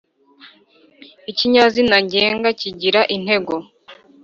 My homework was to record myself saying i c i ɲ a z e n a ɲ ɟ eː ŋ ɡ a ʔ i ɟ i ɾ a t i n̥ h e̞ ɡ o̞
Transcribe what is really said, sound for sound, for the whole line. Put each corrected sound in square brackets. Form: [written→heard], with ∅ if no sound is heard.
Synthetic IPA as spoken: i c i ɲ a z [e→i] n a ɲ ɟ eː ŋ ɡ a [ʔ→c] i ɟ i ɾ a [t→ʔ] i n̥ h e̞ ɡ o̞